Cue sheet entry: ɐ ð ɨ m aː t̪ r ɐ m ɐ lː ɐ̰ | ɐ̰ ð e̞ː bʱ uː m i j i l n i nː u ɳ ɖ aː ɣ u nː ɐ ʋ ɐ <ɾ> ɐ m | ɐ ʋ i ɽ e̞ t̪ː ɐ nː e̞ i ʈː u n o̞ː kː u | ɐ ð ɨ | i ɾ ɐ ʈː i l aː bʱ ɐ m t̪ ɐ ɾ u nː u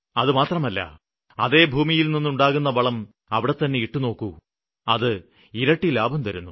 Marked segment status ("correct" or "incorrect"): incorrect